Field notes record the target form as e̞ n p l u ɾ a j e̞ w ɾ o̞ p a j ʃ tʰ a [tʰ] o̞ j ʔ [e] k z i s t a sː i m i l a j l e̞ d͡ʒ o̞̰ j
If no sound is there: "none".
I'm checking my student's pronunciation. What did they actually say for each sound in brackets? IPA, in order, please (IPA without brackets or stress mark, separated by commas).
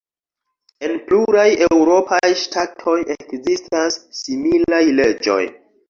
tʰ, e